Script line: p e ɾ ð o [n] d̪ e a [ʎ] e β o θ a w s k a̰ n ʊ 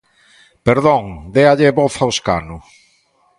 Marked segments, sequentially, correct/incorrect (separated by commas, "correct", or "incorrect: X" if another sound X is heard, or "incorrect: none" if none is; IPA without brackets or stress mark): incorrect: ŋ, correct